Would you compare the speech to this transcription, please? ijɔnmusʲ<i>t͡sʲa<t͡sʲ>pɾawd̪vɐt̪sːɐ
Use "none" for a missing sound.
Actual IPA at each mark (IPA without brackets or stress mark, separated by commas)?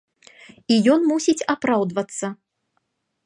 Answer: i, none